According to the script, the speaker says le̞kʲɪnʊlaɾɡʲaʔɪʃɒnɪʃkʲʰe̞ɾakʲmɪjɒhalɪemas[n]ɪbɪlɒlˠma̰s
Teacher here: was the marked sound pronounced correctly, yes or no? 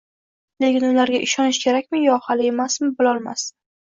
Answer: no